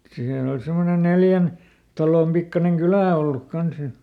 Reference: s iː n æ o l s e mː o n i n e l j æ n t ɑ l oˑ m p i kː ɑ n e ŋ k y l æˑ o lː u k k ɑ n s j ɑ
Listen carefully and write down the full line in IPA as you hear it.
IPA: s iː n æ o l s e mː o n e n e l j æ n t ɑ l oˑ m p i kː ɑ n e ŋ k y l æˑ o lː u k k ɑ n s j ɑ